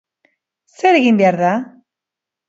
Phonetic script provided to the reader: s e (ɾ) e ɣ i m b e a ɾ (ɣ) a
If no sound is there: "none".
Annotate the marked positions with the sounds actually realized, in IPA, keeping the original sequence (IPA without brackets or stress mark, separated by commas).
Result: ɾ, ð